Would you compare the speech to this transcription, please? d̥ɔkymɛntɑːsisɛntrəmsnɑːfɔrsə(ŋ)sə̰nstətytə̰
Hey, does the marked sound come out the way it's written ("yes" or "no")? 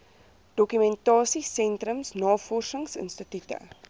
yes